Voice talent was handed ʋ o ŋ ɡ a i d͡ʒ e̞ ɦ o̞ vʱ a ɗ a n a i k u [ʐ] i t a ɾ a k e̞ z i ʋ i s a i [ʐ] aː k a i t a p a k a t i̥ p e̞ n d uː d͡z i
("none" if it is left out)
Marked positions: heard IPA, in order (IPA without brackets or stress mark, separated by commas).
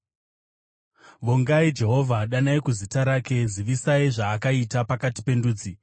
z, ʐ